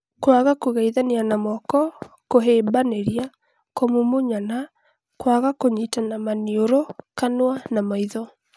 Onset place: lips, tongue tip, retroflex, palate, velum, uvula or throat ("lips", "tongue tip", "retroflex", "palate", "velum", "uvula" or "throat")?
velum